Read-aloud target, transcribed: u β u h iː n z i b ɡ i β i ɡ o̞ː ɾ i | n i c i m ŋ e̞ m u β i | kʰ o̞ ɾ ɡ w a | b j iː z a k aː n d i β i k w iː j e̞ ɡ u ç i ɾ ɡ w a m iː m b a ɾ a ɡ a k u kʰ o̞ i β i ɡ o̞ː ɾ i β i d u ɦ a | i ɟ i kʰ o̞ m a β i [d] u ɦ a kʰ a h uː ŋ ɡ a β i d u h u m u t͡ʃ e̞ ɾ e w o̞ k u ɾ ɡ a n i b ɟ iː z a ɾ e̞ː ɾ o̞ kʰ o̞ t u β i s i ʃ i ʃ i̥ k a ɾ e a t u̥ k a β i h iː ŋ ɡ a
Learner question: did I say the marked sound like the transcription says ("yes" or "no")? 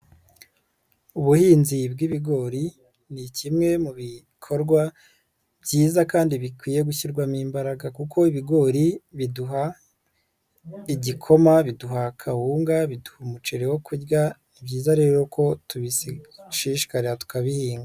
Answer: yes